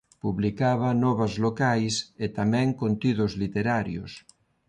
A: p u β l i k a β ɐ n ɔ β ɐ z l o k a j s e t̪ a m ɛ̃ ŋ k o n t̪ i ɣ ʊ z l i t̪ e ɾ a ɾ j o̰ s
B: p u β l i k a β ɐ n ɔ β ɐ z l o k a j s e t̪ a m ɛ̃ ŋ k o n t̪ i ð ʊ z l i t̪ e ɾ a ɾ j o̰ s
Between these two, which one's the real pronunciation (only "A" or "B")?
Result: B